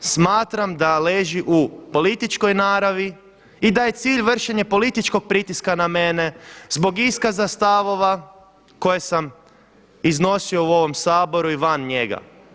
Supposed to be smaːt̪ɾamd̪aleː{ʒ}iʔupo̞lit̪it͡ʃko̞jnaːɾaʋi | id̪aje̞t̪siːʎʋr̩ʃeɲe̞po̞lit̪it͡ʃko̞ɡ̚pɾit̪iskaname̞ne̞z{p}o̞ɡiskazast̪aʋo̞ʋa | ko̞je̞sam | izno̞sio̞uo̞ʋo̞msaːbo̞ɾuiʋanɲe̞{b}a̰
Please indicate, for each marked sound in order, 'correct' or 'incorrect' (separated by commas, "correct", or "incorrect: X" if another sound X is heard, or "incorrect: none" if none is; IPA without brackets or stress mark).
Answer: correct, incorrect: b, incorrect: ɡ